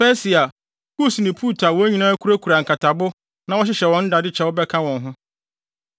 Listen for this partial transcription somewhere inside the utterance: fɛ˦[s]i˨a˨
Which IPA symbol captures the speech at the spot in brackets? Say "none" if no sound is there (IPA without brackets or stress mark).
s